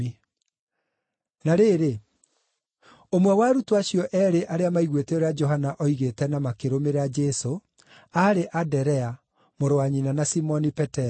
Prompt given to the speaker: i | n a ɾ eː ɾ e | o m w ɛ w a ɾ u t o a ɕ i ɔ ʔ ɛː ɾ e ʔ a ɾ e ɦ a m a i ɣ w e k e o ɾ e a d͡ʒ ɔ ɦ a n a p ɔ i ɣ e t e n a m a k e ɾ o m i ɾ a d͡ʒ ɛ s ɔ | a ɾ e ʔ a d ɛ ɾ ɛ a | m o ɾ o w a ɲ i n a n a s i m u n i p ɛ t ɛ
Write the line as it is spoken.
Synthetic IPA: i | n a ɾ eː ɾ e | o m w ɛ w a ɾ u t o a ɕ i ɔ ʔ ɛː ɾ e ʔ a ɾ e a m a i ɣ w e t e o ɾ e a d͡ʒ ɔ ɦ a n a ʔ ɔ i ɣ e t ɛ n a m a k e ɾ o m e ɾ a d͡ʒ ɛ s o | a ɾ e ʔ a d ɛ ɾ ɛ a | m o ɾ o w a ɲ i n a n a s i m ɔ n i p ɛ t ɛ